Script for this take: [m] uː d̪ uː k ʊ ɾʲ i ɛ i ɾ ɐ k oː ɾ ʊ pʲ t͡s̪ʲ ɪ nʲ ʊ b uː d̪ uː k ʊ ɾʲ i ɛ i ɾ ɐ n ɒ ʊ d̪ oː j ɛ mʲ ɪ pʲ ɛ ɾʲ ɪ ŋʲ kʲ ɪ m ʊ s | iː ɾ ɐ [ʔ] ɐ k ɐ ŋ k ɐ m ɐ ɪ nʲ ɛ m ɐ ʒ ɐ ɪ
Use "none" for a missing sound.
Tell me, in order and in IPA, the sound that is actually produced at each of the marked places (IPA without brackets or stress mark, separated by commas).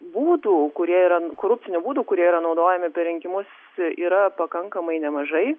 b, p